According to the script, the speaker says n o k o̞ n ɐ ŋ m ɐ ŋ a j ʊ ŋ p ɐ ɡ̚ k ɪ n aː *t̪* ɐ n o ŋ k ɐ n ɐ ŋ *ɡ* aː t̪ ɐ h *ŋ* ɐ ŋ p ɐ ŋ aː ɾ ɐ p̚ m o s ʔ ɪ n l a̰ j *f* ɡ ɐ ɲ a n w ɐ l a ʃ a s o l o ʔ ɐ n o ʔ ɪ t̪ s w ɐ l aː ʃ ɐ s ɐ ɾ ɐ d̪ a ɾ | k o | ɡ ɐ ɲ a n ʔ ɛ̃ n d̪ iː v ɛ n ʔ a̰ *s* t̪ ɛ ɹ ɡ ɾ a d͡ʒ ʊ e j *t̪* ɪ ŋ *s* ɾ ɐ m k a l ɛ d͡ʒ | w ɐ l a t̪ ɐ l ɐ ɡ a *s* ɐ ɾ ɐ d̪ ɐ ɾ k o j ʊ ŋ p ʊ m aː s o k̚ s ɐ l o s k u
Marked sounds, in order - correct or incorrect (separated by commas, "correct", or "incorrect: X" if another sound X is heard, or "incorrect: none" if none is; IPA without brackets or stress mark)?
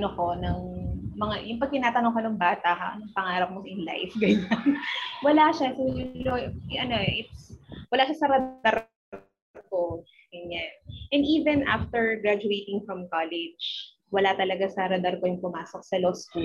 correct, incorrect: b, incorrect: n, correct, incorrect: f, correct, incorrect: f, correct